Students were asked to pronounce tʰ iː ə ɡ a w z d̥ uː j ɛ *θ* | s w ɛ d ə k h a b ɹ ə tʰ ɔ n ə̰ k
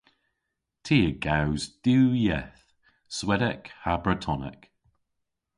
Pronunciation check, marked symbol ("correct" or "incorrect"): correct